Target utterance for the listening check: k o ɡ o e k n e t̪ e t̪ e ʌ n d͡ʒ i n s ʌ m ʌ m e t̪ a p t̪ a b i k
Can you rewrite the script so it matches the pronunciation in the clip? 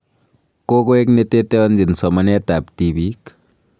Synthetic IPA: k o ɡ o e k n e t̪ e t̪ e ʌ n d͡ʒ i n s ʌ m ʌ n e t̪ a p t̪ i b i k